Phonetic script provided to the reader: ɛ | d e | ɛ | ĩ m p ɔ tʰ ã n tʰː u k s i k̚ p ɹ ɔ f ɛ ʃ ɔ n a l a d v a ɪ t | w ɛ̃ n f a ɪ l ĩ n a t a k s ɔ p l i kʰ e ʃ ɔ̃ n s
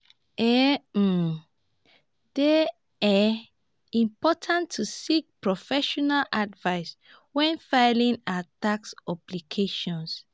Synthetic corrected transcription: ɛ | d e | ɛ | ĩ m p ɔ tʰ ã n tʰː u s i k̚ p ɹ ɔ f ɛ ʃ ɔ n a l a d v a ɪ s | w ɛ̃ n f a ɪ l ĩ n a t a k s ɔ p l i kʰ e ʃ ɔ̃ n s